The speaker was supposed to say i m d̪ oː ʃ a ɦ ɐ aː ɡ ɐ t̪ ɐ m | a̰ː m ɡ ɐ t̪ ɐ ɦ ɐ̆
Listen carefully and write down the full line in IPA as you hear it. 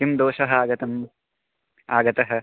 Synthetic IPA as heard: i m d̪ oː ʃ ɐ ɦ ɐ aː ɡ ɐ t̪ ɐ m | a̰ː ɡ ɐ t̪ ɐ ɦ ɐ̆